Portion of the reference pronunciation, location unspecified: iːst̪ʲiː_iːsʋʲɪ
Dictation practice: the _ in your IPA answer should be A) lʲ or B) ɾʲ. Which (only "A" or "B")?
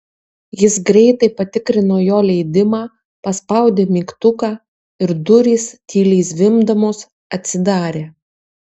A